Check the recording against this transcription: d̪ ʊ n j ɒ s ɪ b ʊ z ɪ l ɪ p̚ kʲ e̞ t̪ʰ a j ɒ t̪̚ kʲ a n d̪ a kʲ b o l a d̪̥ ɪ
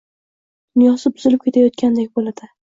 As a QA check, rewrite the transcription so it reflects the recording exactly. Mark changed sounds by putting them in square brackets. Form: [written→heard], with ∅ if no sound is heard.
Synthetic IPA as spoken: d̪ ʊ n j ɒ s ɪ b ʊ z ɪ l ɪ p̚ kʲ e̞ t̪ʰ a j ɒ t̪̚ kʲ a n d̪ [a→e] kʲ b o l a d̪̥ ɪ

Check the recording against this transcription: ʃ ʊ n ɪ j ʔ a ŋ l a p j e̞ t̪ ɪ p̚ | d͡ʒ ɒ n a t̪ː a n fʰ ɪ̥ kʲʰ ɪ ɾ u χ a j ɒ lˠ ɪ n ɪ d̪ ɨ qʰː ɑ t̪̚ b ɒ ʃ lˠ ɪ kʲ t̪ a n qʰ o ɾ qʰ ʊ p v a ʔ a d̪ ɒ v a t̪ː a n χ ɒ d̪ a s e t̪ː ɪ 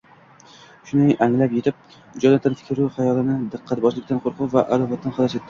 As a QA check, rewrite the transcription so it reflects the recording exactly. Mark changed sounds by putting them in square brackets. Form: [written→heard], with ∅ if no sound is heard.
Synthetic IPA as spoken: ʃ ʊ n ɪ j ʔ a ŋ l a p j e̞ t̪ ɪ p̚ | d͡ʒ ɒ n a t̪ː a n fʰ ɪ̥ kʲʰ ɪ ɾ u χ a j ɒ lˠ ɪ n ɪ d̪ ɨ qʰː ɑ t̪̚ b ɒ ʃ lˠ ɪ kʲ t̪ a n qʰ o ɾ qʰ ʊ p v a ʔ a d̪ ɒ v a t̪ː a n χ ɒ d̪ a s e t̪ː ɪ

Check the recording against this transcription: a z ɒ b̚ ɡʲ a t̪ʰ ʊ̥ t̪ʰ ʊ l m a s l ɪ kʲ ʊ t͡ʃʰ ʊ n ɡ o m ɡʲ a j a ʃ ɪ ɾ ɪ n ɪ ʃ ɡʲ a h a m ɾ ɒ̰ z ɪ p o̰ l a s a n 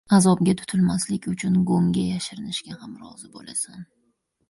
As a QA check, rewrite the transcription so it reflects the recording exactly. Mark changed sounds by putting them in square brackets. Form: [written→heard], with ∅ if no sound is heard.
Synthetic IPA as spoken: a z ɒ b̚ ɡʲ a t̪ʰ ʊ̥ t̪ʰ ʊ l m a s l ɪ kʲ ʊ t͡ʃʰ ʊ n ɡ o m ɡʲ a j a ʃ ɪ ɾ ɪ n ɪ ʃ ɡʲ a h a m ɾ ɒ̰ z ɪ [p→b] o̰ l a s a n

